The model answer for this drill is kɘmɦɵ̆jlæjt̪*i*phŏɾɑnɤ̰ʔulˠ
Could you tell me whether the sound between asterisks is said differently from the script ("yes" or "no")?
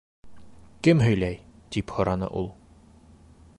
no